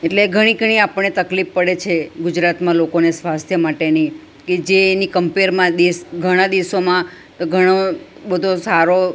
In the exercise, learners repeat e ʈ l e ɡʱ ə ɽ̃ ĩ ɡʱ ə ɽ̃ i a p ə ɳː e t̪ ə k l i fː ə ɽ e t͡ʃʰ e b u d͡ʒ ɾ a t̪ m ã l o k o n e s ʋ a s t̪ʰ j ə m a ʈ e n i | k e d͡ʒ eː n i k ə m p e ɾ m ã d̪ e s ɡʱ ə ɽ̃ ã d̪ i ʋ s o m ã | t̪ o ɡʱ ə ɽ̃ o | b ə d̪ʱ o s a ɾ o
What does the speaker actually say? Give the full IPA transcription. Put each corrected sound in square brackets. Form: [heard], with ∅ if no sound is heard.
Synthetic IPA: e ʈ l e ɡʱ ə ɽ̃ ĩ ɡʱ ə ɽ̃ i a p ə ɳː e t̪ ə k l i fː ə ɽ e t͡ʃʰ e [ɡ] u d͡ʒ ɾ a t̪ m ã l o k o n e s ʋ a s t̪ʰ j ə m a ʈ e n i | k e d͡ʒ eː n i k ə m p e ɾ m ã d̪ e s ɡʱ ə ɽ̃ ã d̪ i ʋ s o m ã | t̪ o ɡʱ ə ɽ̃ o | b ə d̪ʱ o s a ɾ o

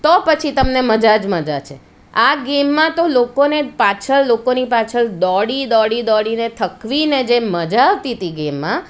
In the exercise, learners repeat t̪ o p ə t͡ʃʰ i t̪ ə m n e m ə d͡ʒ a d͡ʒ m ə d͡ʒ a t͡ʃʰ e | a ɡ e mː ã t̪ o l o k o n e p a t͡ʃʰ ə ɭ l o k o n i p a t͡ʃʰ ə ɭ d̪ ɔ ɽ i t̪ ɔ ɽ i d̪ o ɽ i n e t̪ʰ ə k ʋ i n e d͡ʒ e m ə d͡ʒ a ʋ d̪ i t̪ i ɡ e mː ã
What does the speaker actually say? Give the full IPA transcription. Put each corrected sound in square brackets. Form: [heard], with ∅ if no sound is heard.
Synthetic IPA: t̪ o p ə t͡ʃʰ i t̪ ə m n e m ə d͡ʒ a d͡ʒ m ə d͡ʒ a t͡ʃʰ e | a ɡ e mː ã t̪ o l o k o n e p a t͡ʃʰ ə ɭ l o k o n i p a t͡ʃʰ ə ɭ d̪ ɔ ɽ i [d̪] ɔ ɽ i d̪ [ɔ] ɽ i n e t̪ʰ ə k ʋ i n e d͡ʒ e m ə d͡ʒ a ʋ [t̪] i t̪ i ɡ e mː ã

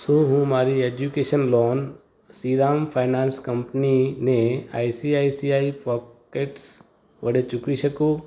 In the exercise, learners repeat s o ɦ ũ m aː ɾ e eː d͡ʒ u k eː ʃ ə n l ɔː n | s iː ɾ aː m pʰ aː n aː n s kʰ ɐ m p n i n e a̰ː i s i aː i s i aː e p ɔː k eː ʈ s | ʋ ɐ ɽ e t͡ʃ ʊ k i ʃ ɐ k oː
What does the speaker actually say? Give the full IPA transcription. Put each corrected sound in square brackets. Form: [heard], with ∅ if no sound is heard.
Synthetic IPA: s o ɦ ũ m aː ɾ [i] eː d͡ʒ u k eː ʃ ə n l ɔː n | s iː ɾ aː m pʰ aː n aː n s [k] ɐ m p n i n e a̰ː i s i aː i s i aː [i] p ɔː k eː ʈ s | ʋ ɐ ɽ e t͡ʃ ʊ k i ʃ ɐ k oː

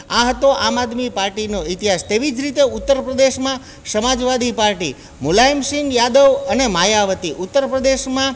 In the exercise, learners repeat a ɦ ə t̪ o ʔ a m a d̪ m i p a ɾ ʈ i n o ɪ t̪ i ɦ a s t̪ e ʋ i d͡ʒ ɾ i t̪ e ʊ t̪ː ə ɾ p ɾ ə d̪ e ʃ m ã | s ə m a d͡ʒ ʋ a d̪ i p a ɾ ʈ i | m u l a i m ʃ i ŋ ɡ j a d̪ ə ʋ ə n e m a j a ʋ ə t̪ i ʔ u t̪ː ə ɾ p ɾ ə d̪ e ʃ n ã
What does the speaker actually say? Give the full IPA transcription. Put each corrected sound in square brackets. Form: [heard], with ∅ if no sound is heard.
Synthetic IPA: a ɦ ə t̪ o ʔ a m a d̪ m i p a ɾ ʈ i n o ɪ t̪ i ɦ a s t̪ e ʋ i d͡ʒ ɾ i t̪ e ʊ t̪ː ə ɾ p ɾ ə d̪ e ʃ m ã | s ə m a d͡ʒ ʋ a d̪ i p a ɾ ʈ i | m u l a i m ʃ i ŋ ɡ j a d̪ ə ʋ ə n e m a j a ʋ ə t̪ i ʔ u t̪ː ə ɾ p ɾ ə d̪ e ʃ [m] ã

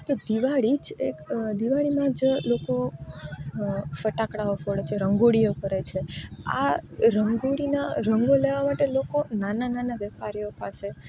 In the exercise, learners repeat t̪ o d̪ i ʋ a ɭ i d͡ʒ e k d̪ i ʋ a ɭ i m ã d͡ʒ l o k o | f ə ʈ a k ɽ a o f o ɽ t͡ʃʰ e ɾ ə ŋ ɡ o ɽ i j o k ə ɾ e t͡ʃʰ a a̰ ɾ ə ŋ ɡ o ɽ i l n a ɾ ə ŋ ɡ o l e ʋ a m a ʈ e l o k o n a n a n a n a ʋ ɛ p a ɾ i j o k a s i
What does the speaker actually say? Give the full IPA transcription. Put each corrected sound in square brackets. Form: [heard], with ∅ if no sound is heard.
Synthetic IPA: t̪ o d̪ i ʋ a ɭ i d͡ʒ e k d̪ i ʋ a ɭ i m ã d͡ʒ l o k o | f ə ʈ a k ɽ a o f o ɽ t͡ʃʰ e ɾ ə ŋ ɡ o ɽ i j o k ə ɾ e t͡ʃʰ [e] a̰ ɾ ə ŋ ɡ o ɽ i [∅] n a ɾ ə ŋ ɡ o l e ʋ a m a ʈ e l o k o n a n a n a n a ʋ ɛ p a ɾ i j o [p] a s [e]

